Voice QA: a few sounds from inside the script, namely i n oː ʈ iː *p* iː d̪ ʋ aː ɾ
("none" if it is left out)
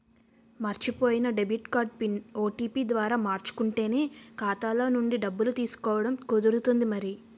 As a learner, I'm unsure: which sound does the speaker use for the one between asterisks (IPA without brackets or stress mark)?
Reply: p